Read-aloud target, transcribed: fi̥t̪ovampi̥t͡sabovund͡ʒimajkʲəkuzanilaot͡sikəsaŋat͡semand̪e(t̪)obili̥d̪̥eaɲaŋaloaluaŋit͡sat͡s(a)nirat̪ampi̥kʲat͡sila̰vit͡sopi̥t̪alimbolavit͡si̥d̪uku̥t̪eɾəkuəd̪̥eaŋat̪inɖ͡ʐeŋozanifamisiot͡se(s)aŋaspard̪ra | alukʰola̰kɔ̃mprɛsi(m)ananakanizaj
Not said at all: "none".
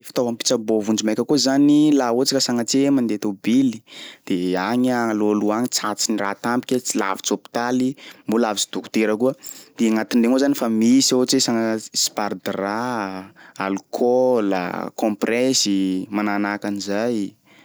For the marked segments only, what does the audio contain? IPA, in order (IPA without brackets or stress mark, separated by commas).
t̪, i, s, m